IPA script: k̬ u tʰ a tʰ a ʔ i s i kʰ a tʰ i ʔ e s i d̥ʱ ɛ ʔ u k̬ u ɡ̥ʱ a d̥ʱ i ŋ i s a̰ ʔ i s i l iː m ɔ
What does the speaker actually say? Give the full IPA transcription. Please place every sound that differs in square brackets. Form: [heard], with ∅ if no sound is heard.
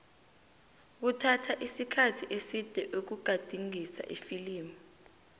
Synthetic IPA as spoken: k̬ u tʰ a tʰ a ʔ i s i kʰ a tʰ i ʔ e s i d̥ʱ ɛ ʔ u k̬ u ɡ̥ʱ a d̥ʱ i ŋ i s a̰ ʔ i [f] i l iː m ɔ